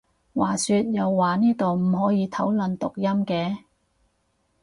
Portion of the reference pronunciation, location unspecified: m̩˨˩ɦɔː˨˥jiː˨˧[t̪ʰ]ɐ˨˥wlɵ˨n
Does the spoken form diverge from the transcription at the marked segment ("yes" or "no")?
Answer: no